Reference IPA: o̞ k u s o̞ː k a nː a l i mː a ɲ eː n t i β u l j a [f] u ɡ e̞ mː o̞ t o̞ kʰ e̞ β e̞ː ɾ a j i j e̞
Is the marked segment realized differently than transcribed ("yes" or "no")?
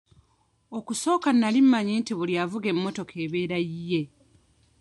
yes